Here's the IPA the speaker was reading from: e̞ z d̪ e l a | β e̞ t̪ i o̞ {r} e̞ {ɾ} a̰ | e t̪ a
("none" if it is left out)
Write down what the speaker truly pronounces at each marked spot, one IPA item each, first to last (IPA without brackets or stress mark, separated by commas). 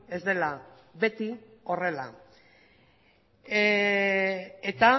r, l